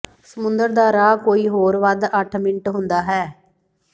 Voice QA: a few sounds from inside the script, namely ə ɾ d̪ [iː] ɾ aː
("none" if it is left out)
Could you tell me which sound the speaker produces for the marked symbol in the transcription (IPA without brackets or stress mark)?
aː